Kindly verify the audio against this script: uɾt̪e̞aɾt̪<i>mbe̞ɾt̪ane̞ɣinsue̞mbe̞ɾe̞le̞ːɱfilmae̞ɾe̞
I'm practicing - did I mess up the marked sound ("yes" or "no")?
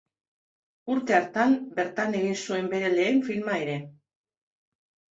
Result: yes